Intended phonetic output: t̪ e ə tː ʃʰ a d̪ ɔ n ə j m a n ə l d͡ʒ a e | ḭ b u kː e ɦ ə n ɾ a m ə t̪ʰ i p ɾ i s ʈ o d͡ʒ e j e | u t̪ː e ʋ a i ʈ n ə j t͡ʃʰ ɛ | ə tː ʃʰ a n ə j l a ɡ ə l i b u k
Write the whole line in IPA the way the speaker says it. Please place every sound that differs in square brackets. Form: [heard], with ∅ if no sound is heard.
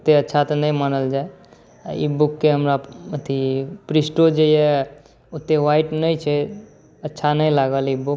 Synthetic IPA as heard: t̪ e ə tː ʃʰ a [t̪] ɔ n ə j m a n ə l d͡ʒ a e | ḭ b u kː e ɦ ə [m] ɾ a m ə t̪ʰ i p ɾ i s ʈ o d͡ʒ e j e | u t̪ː e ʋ a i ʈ n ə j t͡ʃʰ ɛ | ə tː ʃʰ a n ə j l a ɡ ə l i b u k

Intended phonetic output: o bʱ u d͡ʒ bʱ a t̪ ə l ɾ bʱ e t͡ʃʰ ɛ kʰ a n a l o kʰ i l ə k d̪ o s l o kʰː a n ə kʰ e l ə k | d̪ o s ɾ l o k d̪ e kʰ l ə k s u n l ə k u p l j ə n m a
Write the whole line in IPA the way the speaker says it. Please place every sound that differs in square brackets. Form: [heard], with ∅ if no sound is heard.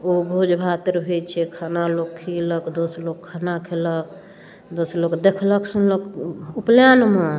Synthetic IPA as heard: o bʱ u d͡ʒ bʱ a t̪ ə [∅] ɾ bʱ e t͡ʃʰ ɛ kʰ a n a l o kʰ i l ə k d̪ o s l o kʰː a n [a] kʰ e l ə k | d̪ o s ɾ l o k d̪ e kʰ l ə k s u n l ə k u p l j [a] n m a

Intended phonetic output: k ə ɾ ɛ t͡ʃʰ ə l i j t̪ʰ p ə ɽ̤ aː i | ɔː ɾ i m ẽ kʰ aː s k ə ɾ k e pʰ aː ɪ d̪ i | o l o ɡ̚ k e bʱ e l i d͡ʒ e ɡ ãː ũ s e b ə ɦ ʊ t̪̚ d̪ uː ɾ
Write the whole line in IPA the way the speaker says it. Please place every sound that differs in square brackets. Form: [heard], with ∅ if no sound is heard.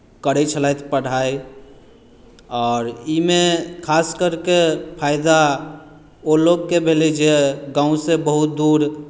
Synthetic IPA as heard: k ə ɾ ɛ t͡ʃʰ ə l [a] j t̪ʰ p ə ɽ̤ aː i | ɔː ɾ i m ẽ kʰ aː s k ə ɾ k e pʰ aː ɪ d̪ [a] | o l o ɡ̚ k e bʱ e l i d͡ʒ e ɡ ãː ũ s e b ə ɦ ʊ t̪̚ d̪ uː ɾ

